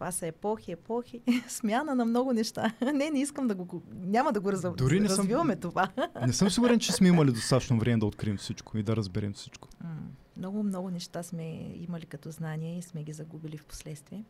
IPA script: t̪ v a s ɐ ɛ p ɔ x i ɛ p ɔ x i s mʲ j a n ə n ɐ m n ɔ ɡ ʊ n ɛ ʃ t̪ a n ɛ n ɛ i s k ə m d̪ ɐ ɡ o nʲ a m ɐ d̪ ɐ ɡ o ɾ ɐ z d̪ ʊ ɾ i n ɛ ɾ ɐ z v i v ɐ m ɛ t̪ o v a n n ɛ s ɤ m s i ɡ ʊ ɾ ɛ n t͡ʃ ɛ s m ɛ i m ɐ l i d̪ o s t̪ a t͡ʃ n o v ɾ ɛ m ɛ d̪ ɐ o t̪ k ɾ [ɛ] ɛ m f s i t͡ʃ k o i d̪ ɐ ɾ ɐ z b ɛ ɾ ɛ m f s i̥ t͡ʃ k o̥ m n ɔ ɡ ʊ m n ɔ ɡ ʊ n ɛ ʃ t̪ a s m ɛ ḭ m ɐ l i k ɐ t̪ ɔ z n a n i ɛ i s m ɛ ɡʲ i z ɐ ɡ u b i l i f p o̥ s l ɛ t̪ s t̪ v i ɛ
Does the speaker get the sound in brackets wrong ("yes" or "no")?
yes